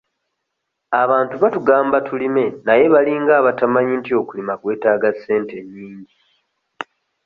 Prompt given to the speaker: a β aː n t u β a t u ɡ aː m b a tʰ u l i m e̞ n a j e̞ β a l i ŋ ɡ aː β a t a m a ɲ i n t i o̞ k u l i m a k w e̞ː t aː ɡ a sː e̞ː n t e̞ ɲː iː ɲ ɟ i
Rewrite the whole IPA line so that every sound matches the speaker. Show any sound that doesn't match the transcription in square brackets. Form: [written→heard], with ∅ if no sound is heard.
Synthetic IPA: a β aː n t u β a t u ɡ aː m b a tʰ u l i m e̞ n a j e̞ β a l i ŋ ɡ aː β a t a m a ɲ i n t i o̞ k u l i m a k w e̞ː t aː ɡ a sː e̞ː n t e̞ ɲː iː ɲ ɟ i